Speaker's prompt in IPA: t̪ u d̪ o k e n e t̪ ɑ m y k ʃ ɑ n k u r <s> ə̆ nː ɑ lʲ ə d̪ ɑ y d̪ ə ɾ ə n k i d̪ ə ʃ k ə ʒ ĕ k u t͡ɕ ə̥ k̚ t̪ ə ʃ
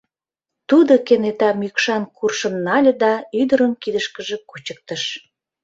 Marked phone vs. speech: incorrect: ʃ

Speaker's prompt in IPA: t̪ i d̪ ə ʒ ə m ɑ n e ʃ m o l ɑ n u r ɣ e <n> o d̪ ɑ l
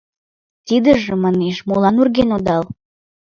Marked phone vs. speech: correct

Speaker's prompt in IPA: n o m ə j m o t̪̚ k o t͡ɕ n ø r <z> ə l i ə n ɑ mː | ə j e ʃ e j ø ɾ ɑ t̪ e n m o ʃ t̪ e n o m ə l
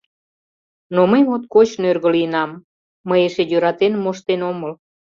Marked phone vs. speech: incorrect: ɣ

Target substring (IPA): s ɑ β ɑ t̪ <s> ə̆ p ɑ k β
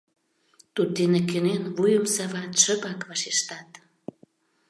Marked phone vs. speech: incorrect: ʃ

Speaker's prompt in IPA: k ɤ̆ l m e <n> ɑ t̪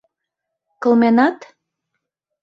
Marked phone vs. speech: correct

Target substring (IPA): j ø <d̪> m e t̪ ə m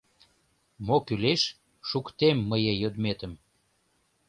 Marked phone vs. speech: correct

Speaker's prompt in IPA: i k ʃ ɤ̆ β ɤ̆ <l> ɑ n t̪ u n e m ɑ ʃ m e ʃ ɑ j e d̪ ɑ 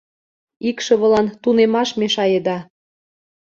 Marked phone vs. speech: correct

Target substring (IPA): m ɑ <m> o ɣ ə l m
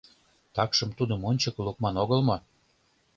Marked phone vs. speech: incorrect: n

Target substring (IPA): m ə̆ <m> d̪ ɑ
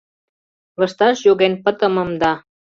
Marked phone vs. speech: correct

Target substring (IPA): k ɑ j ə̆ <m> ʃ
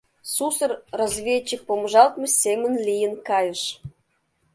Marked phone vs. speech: incorrect: none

